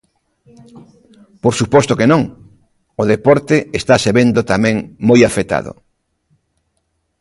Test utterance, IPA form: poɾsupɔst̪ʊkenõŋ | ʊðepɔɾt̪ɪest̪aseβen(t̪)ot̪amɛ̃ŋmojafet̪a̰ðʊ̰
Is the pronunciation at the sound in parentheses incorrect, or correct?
incorrect